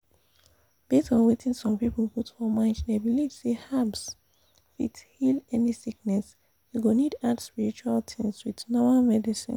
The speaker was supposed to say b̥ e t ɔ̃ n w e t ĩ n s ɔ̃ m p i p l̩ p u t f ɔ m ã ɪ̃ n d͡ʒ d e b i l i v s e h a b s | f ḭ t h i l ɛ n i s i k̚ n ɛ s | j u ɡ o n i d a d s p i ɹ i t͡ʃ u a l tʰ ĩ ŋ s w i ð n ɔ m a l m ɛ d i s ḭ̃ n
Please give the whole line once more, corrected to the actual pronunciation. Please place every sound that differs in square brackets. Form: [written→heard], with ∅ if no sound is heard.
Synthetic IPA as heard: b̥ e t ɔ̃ n w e t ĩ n s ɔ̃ m p i p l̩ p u t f ɔ m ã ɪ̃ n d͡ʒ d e b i l i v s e h a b s | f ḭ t h i l ɛ n i s i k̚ n ɛ s | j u ɡ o n i d a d s p i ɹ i t͡ʃ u a l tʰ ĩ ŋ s w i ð n ɔ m a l m ɛ d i s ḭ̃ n